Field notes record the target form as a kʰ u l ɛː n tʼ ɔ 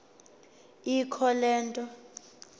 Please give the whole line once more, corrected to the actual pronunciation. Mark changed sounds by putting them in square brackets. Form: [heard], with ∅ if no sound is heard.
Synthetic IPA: [i] kʰ [ɔ] l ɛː n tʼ ɔ